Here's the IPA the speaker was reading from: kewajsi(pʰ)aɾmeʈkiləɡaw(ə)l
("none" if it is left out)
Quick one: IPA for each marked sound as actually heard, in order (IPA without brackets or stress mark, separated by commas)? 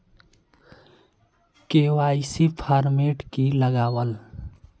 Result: pʰ, ə